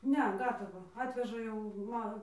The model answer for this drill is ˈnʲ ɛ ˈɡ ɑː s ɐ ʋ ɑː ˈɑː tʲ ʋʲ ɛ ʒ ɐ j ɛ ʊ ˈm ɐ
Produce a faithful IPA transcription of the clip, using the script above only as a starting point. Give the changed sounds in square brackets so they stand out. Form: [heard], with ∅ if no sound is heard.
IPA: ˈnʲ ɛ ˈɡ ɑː [t] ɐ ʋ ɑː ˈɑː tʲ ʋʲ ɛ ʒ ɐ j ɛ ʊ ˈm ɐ